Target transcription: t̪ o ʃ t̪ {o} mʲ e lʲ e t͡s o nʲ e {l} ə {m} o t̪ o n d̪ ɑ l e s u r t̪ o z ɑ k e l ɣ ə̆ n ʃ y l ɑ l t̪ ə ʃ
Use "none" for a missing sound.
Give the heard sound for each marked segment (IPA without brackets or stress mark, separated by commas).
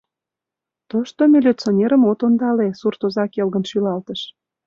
o, ɾ, m